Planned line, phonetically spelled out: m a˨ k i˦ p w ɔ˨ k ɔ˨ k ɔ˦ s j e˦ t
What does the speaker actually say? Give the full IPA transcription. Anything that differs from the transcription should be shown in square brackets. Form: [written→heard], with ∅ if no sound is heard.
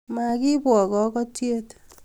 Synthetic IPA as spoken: m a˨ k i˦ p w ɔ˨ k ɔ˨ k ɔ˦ [s→t] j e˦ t